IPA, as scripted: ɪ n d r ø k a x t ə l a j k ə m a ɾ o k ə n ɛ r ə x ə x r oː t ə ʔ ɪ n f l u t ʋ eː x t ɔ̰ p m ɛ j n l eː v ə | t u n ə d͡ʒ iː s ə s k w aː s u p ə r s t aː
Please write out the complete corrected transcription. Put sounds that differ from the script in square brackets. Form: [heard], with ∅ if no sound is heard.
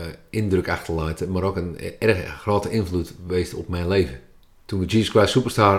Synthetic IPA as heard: ɪ n d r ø k a x t ə l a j [t] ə m a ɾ o k ə n ɛ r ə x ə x r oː t ə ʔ ɪ n f l u t ʋ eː [s] t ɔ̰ p m ɛ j n l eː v ə | t u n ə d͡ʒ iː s ə s k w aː s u p ə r s t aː